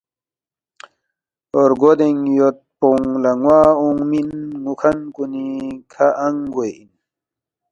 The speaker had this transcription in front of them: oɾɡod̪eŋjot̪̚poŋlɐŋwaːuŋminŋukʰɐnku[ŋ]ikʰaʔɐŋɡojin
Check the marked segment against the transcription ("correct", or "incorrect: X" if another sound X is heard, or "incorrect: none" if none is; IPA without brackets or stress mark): incorrect: n